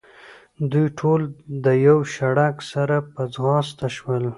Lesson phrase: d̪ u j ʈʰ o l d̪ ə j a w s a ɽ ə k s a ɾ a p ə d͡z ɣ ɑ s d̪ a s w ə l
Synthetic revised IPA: d̪ u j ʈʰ o l d̪ ə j a w ʃ a ɽ a k s a ɾ a p ə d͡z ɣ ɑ s t̪ a ʃ w ə l